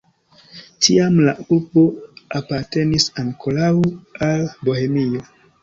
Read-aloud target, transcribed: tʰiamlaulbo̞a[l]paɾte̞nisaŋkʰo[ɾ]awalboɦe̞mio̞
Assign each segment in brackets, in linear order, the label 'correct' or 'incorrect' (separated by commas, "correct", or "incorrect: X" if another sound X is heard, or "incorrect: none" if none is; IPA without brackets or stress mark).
incorrect: none, incorrect: l